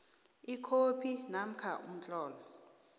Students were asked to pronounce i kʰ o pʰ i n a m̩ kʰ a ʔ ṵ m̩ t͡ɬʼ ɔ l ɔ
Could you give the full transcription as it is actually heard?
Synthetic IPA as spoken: i kʰ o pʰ i n a m̩ kʰ a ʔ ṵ m̩ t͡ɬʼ ɔː l ɔ